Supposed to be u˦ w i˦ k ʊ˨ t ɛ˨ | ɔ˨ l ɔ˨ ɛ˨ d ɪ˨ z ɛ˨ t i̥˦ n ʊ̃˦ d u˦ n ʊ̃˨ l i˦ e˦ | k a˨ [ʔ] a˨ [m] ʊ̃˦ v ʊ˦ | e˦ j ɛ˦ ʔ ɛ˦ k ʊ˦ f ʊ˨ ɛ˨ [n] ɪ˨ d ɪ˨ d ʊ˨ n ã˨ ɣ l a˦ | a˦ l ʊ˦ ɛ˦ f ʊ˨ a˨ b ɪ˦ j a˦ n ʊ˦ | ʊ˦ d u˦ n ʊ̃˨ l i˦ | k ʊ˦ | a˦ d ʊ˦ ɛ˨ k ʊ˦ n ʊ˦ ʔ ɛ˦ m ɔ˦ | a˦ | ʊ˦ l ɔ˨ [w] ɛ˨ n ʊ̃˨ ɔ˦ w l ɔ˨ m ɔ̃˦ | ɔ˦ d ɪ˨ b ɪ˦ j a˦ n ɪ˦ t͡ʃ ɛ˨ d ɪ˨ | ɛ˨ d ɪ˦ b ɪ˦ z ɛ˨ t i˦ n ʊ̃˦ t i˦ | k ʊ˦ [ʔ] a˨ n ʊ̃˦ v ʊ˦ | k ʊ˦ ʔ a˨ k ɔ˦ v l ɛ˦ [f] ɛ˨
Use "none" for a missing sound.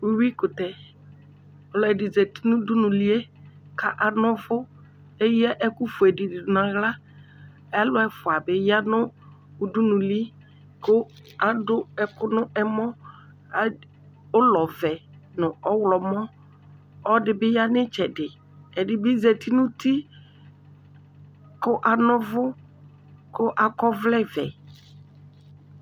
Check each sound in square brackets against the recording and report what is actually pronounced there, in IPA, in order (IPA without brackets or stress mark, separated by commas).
ʔ, n, d, v, ʔ, v